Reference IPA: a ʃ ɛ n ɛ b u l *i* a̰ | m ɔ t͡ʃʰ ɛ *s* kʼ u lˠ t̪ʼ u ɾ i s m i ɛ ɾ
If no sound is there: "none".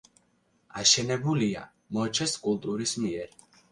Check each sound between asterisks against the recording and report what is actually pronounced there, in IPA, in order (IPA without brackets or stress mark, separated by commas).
i, s